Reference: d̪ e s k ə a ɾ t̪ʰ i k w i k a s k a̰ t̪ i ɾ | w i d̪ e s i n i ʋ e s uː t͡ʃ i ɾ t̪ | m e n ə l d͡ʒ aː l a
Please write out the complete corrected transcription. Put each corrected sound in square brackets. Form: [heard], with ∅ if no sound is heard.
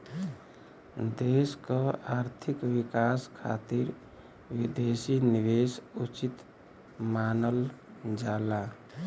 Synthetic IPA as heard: d̪ e s k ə a ɾ t̪ʰ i k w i k a s [kʰ] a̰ t̪ i ɾ | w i d̪ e s i n i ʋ e s [u] t͡ʃ i [∅] t̪ | m [a] n ə l d͡ʒ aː l a